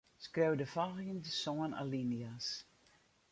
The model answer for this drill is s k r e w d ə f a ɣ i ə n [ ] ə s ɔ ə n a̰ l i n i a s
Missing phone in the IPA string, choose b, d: d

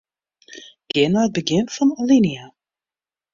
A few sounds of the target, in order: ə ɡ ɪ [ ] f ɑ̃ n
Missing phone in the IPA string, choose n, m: n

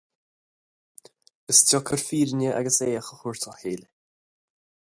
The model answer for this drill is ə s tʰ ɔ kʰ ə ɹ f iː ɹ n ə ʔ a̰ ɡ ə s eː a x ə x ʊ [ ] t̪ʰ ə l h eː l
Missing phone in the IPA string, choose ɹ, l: ɹ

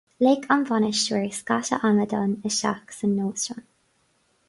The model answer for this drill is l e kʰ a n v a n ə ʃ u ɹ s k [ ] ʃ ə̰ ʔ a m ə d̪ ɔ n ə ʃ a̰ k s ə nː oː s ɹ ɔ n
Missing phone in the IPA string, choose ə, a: a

